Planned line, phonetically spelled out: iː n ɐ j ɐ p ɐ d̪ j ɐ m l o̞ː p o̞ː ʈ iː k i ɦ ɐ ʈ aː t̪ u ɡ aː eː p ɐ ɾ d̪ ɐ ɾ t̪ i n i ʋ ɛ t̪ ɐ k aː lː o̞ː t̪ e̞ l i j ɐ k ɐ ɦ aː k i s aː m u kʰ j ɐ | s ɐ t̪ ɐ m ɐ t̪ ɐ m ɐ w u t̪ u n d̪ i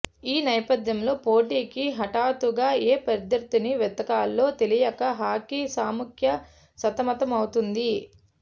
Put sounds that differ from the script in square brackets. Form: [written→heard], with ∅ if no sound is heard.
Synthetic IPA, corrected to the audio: iː n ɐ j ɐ p ɐ d̪ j ɐ m l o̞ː p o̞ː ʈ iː k i ɦ ɐ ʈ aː t̪ u ɡ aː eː p ɐ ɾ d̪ ɐ ɾ t̪ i n i ʋ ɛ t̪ ɐ k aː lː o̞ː t̪ e̞ l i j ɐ k ɐ ɦ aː k i s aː m u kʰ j ɐ | s ɐ t̪ ɐ m ɐ t̪ ɐ m ɐ w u t̪ u n d̪ i